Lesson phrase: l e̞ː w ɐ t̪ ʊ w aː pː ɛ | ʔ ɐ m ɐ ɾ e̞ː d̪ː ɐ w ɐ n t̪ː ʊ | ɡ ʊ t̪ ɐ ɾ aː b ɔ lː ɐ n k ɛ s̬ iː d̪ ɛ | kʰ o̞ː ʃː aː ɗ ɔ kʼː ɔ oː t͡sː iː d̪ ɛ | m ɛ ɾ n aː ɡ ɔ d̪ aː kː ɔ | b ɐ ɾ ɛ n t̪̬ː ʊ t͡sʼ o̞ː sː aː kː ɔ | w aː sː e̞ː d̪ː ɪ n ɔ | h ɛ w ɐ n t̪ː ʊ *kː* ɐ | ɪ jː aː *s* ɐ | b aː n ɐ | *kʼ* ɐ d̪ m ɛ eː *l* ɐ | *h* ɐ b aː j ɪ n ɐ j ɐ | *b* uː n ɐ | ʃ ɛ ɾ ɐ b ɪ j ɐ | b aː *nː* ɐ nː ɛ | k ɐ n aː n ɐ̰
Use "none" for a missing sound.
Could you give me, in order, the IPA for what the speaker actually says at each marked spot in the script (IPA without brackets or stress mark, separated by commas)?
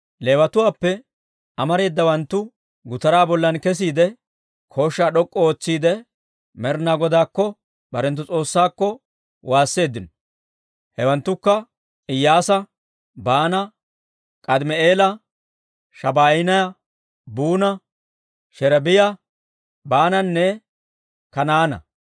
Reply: kː, s, kʼ, l, ʃ, b, n